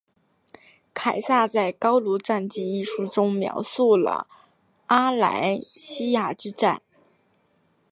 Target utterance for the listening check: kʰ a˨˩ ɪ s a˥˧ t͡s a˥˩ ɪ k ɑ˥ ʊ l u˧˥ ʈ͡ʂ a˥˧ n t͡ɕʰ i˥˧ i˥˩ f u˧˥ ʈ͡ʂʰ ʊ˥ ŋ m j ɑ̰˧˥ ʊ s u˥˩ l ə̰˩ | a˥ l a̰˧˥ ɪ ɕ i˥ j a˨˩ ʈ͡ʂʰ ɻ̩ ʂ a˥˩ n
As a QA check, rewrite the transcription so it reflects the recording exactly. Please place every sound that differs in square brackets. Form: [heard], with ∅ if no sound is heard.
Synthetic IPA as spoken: kʰ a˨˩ ɪ s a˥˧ t͡s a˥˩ ɪ k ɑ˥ ʊ l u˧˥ ʈ͡ʂ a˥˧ n [t͡ɕ] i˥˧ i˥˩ [ʂ] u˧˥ [ʈ͡ʂ] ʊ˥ ŋ m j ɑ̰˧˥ ʊ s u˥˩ l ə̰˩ | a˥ l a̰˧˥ ɪ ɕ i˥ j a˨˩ [ʈ͡ʂ] ɻ̩ [ʈ͡ʂ] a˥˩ n